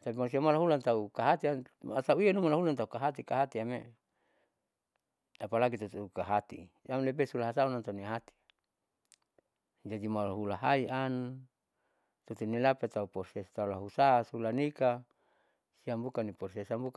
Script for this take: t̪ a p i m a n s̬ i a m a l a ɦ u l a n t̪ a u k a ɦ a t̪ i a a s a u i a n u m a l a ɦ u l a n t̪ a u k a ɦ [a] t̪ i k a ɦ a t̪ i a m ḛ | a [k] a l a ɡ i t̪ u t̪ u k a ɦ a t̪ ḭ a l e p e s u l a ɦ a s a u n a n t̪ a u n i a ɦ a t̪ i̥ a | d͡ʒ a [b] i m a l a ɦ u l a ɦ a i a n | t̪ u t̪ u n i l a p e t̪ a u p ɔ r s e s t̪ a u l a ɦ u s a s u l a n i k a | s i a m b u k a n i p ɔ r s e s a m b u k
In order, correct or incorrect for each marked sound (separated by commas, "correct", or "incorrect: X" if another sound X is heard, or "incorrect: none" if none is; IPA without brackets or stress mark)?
correct, incorrect: p, incorrect: d